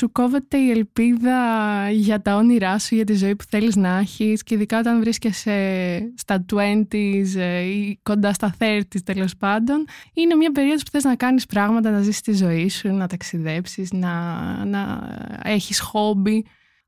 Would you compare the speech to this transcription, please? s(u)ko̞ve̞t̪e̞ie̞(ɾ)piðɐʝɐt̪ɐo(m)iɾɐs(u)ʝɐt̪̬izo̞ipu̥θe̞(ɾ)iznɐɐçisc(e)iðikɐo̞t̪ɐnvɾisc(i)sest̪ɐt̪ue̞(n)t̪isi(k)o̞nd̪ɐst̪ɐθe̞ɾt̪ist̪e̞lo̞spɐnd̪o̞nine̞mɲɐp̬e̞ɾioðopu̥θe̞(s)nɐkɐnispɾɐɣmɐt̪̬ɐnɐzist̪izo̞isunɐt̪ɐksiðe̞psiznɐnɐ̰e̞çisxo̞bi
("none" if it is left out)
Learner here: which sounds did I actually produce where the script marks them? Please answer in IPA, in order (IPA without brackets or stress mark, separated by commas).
u, l, n, u, l, e, e, n, k, z